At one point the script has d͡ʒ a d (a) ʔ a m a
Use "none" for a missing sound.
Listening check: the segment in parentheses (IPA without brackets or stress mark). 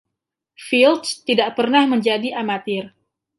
i